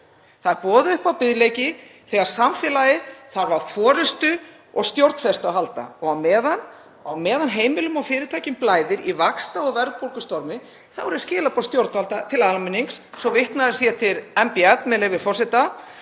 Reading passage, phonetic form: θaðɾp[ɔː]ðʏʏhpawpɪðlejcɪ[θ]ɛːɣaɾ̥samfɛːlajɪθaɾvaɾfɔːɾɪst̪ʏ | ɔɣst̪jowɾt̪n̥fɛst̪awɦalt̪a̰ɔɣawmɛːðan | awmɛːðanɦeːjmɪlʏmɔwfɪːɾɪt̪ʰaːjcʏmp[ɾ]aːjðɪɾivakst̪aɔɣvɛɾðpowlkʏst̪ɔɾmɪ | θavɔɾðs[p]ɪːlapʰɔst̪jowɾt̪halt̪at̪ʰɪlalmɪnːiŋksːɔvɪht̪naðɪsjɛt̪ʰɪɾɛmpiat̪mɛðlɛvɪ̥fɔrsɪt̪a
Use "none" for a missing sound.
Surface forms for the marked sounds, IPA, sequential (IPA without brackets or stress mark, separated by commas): ɔː, θ, l, c